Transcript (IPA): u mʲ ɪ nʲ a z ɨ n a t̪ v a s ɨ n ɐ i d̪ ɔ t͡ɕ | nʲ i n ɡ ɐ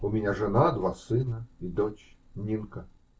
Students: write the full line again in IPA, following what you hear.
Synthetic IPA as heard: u mʲ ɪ nʲ a ʐ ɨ n a d̪ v a s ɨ n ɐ i d̪ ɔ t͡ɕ | nʲ i n k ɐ

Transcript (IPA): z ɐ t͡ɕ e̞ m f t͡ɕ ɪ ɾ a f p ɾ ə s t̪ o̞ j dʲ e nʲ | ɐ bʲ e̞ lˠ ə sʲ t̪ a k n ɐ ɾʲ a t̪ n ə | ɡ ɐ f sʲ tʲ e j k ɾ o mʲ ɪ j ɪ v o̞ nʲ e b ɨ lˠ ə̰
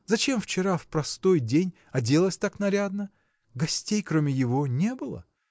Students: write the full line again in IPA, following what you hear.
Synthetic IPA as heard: z ɐ t͡ɕ e̞ m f t͡ɕ ɪ ɾ a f p ɾ ɐ s t̪ o̞ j dʲ e nʲ | ɐ dʲ e̞ lˠ ə sʲ t̪ a k n ɐ ɾʲ a d̪ n ə | ɡ ɐ sʲ tʲ e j k ɾ o mʲ ɪ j ɪ v o̞ nʲ e b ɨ lˠ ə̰

